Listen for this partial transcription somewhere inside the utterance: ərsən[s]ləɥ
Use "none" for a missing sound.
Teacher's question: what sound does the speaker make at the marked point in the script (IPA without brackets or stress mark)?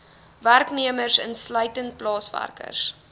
s